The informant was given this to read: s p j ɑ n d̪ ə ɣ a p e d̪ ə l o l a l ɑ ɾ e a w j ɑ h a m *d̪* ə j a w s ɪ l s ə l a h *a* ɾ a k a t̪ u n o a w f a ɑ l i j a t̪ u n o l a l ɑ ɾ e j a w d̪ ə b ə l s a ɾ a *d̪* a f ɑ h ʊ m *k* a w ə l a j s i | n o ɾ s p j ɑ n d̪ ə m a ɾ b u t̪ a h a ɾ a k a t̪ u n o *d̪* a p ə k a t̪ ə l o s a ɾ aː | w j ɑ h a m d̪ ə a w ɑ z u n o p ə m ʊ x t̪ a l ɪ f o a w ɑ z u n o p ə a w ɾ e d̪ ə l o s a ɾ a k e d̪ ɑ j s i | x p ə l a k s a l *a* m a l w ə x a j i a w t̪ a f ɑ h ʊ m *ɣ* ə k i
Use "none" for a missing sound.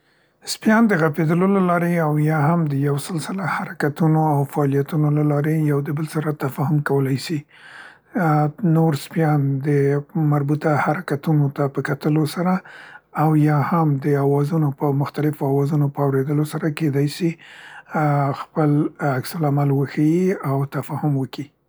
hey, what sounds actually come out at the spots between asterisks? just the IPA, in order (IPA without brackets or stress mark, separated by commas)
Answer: d̪, a, t̪, k, t̪, a, w